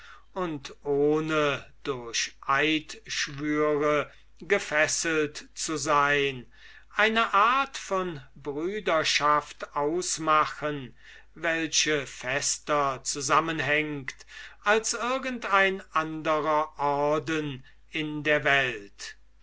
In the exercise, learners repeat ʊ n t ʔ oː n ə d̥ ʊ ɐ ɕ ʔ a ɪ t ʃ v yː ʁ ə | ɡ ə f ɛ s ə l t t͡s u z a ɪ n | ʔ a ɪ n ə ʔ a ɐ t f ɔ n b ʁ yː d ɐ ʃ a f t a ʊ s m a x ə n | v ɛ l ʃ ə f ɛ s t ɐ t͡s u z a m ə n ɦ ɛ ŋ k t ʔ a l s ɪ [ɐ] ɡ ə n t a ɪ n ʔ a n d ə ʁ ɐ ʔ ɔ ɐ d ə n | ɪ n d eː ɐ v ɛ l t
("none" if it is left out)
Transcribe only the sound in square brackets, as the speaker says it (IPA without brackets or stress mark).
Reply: ɐ